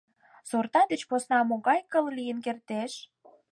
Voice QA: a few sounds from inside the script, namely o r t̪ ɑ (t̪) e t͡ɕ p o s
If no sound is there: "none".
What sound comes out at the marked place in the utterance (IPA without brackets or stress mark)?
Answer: d̪